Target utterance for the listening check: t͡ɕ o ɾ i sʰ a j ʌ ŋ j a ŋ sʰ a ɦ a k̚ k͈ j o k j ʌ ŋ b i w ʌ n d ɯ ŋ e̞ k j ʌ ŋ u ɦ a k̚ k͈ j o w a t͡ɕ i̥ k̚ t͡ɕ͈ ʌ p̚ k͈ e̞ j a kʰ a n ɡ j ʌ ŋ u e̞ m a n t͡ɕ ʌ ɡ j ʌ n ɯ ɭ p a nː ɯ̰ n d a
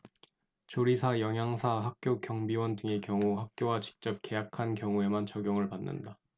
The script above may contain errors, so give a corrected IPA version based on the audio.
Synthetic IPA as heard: t͡ɕ o ɾ i sʰ a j ʌ ŋ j a ŋ sʰ a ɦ a k̚ k͈ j o k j ʌ ŋ b i w ʌ n d ɯ ŋ e̞ k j ʌ ŋ u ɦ a k̚ k͈ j o w a t͡ɕ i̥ k̚ t͡ɕ͈ ʌ p̚ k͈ e̞ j a kʰ a n k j ʌ ŋ u e̞ m a n t͡ɕ ʌ ɡ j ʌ ŋ ɯ ɭ p a nː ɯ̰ n d a